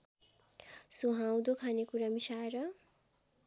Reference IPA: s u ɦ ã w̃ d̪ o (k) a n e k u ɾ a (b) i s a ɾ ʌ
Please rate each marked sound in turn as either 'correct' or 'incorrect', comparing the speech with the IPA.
incorrect, incorrect

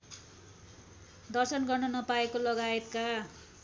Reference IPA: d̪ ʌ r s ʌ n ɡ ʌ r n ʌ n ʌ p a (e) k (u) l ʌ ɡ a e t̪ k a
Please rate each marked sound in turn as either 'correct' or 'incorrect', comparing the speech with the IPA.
correct, incorrect

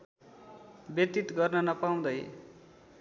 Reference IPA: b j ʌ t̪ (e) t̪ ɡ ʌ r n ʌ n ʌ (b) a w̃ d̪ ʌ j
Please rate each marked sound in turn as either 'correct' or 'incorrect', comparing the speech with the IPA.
incorrect, incorrect

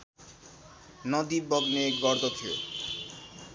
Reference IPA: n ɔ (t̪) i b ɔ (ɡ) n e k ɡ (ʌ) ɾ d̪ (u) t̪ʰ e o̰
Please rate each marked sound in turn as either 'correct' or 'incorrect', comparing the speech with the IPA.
incorrect, correct, incorrect, incorrect

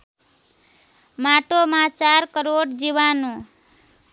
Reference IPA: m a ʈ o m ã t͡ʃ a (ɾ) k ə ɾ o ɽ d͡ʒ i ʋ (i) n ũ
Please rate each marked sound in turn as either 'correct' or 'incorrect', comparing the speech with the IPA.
correct, incorrect

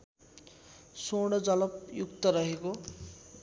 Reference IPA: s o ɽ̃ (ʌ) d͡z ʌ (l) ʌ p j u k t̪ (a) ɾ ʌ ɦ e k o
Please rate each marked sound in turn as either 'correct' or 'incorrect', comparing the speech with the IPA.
correct, correct, incorrect

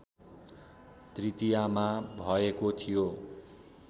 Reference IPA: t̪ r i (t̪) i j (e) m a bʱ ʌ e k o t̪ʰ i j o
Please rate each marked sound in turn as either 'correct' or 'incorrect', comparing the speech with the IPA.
correct, incorrect

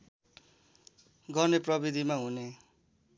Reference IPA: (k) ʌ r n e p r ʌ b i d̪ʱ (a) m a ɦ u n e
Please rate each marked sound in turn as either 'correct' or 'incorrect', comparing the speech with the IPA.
incorrect, incorrect

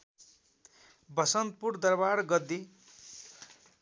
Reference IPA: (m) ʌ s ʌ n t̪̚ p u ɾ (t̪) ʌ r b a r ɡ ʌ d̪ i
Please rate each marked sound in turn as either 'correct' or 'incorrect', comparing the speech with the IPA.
incorrect, incorrect

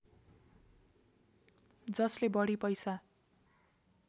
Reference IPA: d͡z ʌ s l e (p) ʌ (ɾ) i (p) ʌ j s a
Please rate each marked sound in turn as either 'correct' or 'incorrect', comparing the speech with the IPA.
incorrect, incorrect, correct

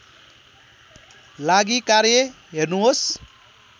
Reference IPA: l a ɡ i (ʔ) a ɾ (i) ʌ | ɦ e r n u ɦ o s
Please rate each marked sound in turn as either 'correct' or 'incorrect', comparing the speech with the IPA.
incorrect, incorrect

